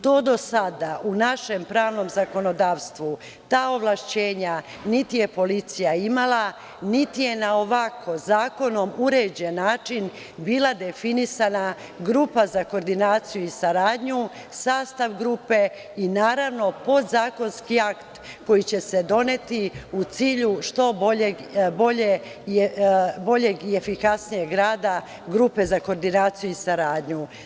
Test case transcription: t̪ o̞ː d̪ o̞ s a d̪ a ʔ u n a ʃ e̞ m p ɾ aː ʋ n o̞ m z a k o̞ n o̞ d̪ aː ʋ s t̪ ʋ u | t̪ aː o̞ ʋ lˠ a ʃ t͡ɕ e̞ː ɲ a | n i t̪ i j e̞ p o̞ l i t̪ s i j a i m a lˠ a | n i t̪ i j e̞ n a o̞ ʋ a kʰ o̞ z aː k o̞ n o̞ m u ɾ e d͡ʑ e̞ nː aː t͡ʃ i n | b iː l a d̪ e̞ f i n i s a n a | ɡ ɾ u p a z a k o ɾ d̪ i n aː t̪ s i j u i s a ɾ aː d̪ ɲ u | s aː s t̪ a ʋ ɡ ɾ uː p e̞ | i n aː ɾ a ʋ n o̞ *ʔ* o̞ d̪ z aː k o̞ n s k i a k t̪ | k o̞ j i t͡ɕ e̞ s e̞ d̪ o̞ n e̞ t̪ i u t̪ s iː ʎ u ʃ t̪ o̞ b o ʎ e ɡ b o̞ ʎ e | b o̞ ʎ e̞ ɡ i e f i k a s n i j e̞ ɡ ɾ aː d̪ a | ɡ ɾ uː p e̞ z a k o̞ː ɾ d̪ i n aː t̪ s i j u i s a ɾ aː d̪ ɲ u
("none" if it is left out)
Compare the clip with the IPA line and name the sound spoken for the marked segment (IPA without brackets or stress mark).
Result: p